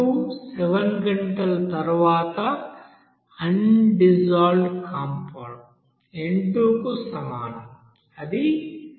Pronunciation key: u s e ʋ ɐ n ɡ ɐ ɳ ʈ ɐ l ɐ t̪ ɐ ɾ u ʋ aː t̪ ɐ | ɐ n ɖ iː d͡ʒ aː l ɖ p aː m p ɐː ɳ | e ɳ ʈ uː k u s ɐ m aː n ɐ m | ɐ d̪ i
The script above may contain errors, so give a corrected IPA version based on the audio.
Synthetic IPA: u s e ʋ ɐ n ɡ ɐ ɳ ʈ ɐ l ɐ t̪ ɐ ɾ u ʋ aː t̪ ɐ | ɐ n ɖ i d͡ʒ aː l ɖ k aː m p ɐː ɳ | e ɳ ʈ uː k u s ɐ m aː n ɐ m | ɐ d̪ i